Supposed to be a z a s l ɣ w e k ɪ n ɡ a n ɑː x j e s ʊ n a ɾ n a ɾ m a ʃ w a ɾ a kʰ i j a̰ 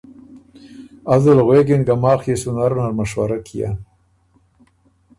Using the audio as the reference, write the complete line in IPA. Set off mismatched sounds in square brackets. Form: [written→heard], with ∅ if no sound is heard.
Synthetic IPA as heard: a z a [s→∅] l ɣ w e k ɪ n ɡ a [n→m] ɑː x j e s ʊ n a ɾ n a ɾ m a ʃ w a ɾ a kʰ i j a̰